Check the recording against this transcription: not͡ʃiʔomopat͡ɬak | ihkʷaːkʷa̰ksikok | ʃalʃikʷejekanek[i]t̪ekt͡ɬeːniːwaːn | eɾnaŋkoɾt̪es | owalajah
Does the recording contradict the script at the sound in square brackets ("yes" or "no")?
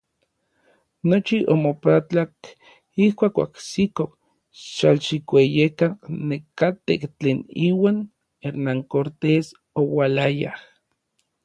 yes